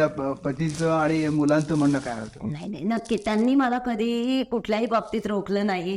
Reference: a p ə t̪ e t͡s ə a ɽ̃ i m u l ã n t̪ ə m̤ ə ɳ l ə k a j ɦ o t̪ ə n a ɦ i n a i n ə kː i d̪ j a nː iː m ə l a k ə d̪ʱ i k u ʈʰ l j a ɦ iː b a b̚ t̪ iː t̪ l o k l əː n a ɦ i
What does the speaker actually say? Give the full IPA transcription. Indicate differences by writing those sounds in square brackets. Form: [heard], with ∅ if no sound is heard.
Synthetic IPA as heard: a p ə t̪ [i] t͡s ə a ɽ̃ i m u l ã n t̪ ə m̤ ə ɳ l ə k a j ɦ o t̪ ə n a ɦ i n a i n ə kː i [t̪] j a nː iː m ə l a k ə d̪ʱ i k u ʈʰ l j a ɦ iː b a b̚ t̪ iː t̪ [ɾ] o k l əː n a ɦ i